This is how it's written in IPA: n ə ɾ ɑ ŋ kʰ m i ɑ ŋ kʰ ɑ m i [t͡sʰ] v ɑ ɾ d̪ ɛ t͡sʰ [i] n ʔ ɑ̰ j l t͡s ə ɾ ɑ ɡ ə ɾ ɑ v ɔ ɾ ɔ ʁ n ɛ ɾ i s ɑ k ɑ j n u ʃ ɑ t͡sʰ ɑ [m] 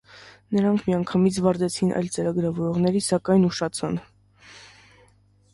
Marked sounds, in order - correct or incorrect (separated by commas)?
correct, correct, incorrect